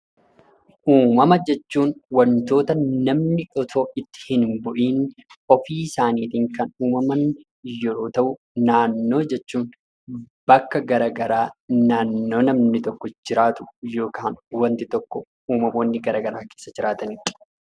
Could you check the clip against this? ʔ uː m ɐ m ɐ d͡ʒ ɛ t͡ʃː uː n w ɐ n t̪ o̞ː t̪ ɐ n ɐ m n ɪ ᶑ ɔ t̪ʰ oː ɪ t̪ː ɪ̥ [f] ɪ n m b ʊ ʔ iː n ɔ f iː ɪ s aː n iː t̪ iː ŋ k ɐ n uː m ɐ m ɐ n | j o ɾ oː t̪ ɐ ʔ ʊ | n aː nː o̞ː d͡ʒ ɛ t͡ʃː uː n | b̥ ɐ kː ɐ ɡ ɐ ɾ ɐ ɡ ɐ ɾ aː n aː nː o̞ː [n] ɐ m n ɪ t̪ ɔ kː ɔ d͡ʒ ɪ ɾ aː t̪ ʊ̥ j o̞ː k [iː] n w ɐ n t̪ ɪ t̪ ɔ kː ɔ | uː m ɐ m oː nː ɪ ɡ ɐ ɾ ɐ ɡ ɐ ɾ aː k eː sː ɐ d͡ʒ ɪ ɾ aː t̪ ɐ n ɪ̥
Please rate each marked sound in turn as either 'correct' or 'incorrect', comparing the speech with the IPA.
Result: incorrect, correct, incorrect

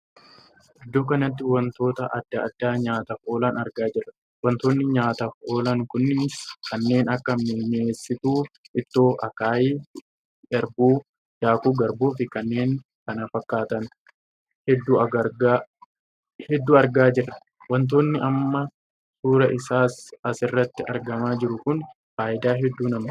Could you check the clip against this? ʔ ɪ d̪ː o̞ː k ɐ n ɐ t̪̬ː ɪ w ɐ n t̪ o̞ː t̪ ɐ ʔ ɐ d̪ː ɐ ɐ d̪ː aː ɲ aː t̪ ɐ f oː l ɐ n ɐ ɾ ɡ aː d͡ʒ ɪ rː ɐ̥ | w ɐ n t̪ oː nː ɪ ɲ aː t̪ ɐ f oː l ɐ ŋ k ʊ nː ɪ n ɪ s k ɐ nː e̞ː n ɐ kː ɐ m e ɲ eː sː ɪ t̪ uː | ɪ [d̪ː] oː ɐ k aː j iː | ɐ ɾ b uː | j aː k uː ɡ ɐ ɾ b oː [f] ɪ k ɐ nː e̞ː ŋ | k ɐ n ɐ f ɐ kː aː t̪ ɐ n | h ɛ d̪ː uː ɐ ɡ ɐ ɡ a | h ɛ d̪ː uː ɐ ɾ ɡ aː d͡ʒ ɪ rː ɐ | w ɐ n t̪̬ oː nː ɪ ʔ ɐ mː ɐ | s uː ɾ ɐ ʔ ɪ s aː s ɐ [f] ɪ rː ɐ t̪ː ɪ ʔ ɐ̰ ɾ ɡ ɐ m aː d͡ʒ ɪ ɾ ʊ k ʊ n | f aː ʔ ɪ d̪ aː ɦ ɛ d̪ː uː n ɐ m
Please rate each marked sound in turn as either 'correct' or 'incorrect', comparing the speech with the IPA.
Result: incorrect, correct, incorrect

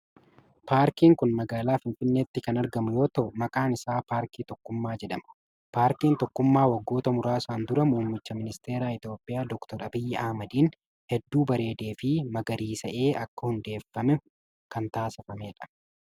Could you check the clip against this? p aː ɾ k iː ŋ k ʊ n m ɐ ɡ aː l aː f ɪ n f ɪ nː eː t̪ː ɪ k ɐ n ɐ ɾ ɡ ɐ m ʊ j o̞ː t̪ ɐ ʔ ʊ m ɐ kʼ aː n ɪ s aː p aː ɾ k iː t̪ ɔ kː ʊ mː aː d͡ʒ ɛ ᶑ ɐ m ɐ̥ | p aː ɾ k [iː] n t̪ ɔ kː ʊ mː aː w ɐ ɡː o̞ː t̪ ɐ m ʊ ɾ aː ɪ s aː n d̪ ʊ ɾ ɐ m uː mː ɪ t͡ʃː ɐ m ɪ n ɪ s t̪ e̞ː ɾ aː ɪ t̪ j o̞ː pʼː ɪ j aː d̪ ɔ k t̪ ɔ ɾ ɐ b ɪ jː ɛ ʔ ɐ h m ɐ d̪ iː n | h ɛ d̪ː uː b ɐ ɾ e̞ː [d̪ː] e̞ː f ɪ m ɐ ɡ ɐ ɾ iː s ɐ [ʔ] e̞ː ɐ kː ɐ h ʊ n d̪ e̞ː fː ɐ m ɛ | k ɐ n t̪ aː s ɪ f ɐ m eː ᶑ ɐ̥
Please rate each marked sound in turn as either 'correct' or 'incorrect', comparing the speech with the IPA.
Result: correct, incorrect, correct

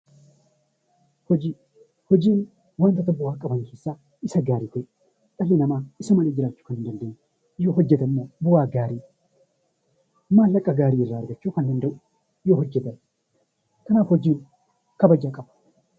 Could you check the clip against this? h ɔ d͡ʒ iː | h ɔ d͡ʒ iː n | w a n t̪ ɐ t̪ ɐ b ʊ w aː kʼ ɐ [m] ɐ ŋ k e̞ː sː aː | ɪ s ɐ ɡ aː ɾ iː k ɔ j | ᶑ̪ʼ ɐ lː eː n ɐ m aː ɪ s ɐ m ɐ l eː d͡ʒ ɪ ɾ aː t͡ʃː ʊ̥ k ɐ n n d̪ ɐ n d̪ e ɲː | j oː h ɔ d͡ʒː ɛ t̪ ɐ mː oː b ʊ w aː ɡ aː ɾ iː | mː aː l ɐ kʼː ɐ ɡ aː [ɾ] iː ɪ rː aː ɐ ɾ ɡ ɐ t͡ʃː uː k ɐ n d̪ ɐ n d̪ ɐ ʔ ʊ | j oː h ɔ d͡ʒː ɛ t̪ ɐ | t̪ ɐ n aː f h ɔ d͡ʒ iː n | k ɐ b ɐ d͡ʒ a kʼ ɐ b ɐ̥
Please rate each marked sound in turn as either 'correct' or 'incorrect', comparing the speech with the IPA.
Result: incorrect, correct

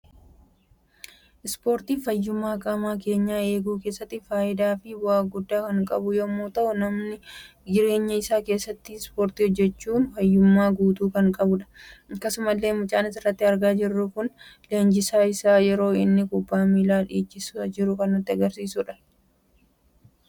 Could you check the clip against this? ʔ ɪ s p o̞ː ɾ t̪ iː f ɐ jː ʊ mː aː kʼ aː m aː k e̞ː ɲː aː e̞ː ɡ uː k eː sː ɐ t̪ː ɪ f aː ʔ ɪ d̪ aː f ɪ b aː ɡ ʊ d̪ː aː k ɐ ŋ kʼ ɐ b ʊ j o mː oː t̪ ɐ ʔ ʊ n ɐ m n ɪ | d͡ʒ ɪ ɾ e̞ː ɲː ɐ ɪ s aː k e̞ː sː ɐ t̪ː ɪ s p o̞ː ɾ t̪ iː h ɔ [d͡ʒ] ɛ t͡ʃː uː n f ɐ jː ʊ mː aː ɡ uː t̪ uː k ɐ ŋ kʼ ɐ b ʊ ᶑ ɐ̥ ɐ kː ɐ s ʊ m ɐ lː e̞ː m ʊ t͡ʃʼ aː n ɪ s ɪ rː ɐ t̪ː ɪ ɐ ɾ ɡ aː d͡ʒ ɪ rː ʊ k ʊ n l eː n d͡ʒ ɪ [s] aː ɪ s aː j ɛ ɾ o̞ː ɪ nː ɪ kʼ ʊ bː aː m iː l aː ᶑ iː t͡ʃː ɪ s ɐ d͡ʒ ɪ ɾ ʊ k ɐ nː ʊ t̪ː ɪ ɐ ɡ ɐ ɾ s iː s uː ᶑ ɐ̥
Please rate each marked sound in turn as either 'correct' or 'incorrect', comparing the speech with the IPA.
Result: incorrect, correct

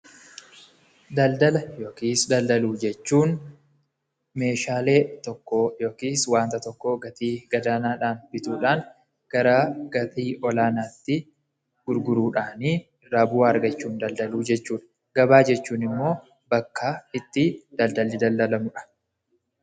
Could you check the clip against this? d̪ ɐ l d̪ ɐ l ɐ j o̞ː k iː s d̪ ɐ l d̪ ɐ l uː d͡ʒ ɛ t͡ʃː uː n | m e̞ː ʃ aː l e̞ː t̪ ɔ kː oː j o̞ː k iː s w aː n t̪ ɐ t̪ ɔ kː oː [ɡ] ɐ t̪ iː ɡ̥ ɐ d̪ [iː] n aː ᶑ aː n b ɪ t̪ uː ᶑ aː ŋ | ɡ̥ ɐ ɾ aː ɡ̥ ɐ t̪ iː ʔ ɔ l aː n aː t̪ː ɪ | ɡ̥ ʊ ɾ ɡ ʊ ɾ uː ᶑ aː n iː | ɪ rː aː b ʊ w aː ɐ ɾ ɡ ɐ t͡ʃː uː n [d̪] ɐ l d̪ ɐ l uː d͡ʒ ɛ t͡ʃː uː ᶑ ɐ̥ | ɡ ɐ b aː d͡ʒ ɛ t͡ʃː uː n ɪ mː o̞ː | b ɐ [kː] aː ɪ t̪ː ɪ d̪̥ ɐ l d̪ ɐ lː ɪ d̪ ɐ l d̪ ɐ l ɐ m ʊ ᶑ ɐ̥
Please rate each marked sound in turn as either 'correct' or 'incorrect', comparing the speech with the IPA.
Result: correct, incorrect, correct, correct

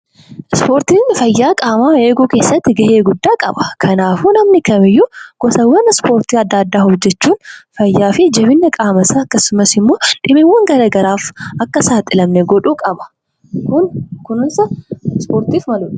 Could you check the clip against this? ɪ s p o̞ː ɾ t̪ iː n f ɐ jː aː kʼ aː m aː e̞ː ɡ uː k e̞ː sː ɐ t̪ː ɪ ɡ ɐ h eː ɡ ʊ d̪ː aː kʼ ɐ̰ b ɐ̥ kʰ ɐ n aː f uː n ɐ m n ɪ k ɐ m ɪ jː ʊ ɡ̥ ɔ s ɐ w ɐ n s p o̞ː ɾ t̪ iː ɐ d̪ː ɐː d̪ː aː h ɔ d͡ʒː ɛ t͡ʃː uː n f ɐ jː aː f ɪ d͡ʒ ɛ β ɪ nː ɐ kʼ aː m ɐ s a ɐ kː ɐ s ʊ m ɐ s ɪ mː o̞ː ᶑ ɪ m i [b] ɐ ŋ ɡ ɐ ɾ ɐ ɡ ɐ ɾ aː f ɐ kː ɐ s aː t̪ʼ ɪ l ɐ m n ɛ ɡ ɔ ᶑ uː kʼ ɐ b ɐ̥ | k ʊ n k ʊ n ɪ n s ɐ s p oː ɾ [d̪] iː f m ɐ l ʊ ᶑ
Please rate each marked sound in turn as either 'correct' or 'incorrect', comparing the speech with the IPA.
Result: incorrect, incorrect

